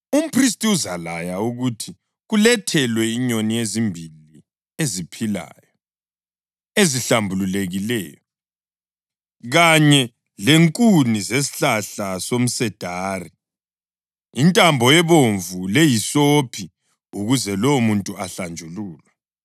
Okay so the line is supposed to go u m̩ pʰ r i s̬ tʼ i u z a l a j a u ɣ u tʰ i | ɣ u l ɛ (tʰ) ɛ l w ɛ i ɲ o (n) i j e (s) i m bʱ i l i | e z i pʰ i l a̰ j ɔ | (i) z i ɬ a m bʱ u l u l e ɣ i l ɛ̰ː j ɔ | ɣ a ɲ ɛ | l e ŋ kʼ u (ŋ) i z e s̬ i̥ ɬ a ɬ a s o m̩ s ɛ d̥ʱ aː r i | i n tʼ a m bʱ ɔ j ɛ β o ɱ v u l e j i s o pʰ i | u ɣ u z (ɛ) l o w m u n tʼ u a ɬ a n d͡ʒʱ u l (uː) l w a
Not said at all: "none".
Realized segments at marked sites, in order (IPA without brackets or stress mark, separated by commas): tʰ, n, z, e, n, ɛ, uː